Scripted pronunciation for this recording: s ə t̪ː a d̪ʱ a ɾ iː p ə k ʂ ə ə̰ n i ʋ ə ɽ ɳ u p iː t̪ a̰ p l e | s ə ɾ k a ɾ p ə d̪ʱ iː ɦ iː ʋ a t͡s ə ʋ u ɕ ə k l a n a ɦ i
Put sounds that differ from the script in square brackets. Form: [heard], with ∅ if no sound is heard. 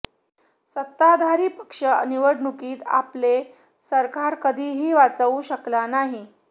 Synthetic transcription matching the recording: s ə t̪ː a d̪ʱ a ɾ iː p ə k ʂ ə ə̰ n i ʋ ə ɽ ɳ u [k] iː t̪ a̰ p l e | s ə ɾ k a ɾ [k] ə d̪ʱ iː ɦ iː ʋ a t͡s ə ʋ u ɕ ə k l a n a ɦ i